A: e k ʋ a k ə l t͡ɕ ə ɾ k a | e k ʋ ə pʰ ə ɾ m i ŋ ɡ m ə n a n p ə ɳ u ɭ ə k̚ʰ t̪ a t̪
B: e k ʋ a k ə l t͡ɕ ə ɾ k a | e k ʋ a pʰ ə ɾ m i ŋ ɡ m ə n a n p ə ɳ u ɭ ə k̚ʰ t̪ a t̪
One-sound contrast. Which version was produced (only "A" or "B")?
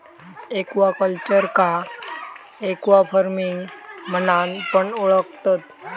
B